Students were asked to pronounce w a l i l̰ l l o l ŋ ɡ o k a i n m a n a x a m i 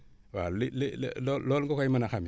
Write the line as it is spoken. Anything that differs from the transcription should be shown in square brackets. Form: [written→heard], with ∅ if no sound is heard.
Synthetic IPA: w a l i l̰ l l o l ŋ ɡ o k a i [n→∅] m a n a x a m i